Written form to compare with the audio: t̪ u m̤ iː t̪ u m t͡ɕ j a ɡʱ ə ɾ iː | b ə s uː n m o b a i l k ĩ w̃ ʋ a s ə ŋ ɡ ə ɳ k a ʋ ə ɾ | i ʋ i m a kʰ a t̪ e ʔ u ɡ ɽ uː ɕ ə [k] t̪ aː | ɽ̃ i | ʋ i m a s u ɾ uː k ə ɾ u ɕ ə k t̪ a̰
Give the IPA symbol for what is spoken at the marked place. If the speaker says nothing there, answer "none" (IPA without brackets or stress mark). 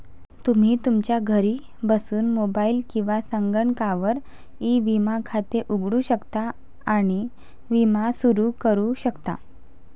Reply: k